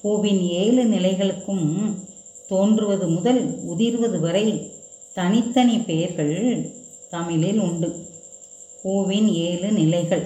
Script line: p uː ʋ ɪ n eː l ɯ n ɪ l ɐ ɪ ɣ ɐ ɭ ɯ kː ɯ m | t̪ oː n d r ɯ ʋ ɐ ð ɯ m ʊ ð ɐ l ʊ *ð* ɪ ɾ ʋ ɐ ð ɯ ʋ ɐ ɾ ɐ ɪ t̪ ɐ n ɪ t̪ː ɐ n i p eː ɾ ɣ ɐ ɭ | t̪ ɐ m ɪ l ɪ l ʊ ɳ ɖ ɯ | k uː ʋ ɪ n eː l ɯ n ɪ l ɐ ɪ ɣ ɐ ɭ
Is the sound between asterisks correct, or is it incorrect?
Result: correct